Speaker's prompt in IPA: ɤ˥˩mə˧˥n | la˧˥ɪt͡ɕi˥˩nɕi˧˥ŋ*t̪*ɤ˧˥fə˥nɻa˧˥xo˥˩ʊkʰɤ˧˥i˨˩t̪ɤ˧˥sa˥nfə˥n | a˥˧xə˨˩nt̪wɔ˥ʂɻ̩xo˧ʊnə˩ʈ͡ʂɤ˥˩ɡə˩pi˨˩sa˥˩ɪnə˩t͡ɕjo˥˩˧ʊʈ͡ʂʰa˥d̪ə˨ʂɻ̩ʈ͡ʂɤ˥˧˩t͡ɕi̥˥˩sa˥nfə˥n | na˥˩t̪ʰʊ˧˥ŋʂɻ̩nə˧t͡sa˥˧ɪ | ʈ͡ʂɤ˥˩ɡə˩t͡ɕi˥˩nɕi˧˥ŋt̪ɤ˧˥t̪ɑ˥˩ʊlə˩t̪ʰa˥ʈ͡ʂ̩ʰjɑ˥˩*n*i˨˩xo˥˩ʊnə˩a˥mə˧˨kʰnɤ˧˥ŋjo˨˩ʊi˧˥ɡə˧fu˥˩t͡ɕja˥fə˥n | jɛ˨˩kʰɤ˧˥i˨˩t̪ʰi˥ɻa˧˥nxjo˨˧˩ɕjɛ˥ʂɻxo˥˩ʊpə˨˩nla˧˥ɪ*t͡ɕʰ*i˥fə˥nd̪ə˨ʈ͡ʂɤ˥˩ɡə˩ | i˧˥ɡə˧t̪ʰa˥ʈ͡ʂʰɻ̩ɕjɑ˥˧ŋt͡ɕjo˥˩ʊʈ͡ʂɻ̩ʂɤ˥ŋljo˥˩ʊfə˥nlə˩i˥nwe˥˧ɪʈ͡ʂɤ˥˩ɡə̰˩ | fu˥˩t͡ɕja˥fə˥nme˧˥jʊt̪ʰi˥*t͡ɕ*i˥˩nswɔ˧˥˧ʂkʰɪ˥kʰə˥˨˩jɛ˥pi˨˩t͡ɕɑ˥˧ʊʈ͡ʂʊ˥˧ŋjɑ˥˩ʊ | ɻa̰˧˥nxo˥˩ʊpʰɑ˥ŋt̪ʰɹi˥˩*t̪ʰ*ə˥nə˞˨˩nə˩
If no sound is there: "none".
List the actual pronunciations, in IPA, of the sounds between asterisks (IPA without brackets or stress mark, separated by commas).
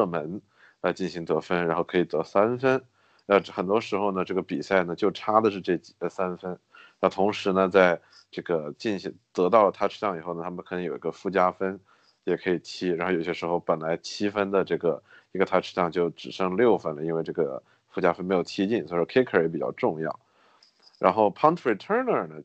t̪, ŋ, t͡ɕʰ, t͡ɕ, t̪ʰ